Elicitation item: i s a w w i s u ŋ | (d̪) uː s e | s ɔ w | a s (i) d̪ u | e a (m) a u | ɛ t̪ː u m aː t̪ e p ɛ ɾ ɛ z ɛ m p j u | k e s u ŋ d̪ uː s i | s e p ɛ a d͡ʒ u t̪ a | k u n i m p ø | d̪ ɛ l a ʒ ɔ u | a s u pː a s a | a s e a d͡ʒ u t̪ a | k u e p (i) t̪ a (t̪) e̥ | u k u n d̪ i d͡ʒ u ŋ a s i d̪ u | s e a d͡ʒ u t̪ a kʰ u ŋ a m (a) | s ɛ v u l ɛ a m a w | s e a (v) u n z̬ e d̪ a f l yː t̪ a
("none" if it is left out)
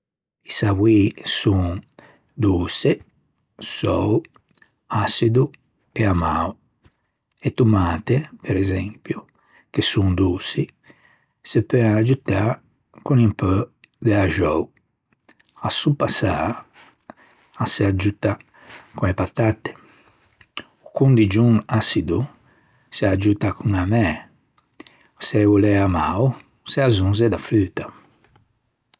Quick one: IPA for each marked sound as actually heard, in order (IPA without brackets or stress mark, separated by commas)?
d̪, i, m, a, t̪, ɛ, z